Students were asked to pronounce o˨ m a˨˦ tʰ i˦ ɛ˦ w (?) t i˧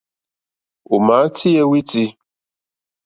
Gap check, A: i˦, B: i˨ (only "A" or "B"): A